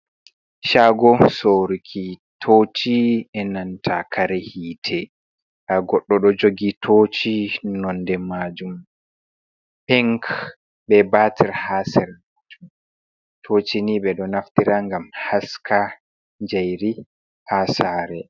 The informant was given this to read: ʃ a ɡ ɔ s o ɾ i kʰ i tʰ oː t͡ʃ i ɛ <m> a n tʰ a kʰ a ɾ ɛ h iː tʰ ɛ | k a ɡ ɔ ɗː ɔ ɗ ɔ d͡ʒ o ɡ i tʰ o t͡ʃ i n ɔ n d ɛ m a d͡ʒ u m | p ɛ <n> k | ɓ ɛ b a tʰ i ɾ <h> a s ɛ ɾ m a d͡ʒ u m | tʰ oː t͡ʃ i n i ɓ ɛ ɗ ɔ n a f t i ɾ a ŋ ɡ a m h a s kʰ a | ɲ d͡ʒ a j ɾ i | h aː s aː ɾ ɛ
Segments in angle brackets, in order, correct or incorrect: incorrect: n, incorrect: ŋ, correct

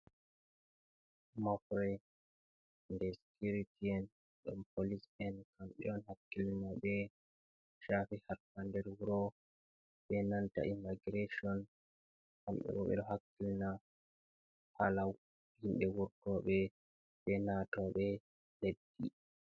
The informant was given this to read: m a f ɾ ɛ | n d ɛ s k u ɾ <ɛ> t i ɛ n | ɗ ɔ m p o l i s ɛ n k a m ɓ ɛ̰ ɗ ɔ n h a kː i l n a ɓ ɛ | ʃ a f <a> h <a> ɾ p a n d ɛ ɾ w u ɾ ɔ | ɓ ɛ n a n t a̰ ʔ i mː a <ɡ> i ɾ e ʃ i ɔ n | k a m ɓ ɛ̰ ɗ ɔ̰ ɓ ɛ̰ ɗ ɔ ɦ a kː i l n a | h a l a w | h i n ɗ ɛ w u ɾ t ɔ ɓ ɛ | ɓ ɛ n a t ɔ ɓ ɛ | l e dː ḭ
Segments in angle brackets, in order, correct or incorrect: incorrect: i, incorrect: i, correct, correct

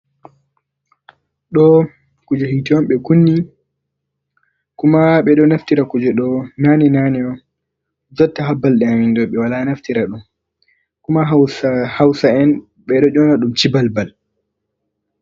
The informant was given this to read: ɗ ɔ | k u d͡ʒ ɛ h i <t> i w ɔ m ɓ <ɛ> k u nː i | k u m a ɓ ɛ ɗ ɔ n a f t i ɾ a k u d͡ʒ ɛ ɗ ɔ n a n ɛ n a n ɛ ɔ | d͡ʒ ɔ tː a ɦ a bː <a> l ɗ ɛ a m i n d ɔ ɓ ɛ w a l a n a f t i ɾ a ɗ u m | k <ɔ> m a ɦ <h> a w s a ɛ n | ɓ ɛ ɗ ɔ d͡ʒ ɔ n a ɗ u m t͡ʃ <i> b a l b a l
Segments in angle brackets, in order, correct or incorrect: correct, correct, correct, incorrect: u, correct, correct

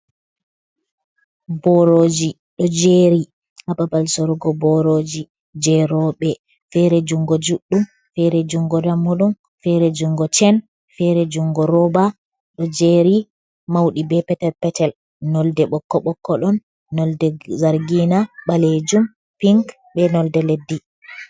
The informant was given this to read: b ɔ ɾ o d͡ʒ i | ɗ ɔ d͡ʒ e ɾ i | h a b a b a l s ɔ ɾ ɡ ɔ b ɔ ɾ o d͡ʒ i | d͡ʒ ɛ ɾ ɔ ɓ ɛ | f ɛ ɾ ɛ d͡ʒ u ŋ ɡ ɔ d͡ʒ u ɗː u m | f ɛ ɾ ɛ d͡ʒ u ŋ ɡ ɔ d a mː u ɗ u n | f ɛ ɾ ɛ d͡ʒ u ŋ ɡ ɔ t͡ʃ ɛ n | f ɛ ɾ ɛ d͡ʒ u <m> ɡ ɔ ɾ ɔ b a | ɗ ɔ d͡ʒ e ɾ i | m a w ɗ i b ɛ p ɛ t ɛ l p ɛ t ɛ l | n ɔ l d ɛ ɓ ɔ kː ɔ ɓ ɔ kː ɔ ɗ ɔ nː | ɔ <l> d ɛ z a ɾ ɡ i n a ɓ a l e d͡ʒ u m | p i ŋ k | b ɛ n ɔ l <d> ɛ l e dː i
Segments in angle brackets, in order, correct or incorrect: incorrect: ŋ, correct, correct

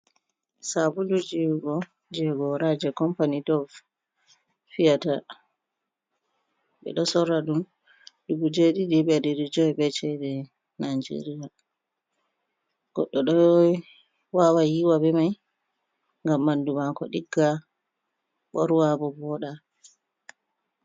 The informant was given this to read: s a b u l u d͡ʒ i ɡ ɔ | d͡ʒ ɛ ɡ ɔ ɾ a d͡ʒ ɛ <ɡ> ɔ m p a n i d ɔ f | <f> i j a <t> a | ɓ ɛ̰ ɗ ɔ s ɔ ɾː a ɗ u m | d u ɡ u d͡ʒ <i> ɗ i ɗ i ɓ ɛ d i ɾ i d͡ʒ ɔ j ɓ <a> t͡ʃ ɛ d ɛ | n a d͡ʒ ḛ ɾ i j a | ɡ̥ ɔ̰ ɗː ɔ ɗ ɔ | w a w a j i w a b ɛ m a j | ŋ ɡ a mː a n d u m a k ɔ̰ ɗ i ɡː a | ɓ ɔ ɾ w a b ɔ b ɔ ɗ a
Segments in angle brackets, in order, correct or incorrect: incorrect: k, correct, correct, incorrect: e, incorrect: ɛ

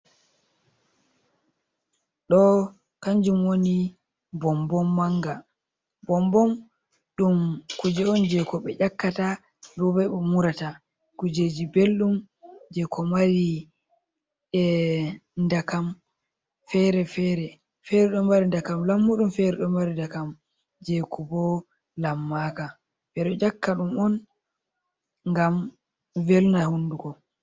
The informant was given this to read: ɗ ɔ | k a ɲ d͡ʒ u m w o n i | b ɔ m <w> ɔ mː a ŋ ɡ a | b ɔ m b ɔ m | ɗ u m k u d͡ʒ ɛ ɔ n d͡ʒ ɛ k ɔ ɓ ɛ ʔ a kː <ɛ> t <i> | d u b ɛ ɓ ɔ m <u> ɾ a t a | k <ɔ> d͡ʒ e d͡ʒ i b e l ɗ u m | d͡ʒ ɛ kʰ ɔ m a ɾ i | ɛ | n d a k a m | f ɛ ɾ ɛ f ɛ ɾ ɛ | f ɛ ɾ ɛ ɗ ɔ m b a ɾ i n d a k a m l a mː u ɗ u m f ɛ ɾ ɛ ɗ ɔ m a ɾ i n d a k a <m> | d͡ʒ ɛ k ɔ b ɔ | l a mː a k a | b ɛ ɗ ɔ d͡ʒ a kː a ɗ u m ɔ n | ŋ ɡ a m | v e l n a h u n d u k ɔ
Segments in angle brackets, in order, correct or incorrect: incorrect: b, incorrect: a, incorrect: a, correct, incorrect: u, correct

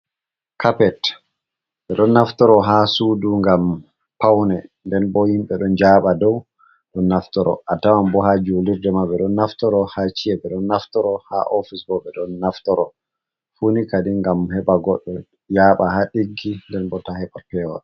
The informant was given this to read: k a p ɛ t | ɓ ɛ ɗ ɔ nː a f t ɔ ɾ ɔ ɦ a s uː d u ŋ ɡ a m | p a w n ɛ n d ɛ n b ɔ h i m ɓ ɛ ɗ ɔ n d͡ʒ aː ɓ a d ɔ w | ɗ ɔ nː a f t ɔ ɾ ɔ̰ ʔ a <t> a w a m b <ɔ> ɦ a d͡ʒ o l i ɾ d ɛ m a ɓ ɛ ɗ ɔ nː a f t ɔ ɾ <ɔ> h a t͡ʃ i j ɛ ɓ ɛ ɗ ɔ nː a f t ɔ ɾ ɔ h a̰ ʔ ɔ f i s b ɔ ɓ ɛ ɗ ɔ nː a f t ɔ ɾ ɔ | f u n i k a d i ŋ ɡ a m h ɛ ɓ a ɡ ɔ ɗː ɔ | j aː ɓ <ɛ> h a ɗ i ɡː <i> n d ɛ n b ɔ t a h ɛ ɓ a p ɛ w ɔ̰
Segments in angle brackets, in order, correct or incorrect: correct, correct, correct, incorrect: a, correct

